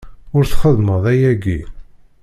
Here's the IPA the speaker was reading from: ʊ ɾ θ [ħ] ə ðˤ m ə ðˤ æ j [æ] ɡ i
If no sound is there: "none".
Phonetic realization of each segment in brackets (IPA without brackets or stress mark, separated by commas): χ, æ